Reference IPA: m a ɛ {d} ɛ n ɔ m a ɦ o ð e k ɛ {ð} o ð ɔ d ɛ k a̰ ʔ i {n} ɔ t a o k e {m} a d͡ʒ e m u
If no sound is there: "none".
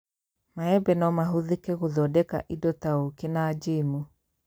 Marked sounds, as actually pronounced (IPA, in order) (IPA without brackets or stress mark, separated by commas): b, ɣ, d, n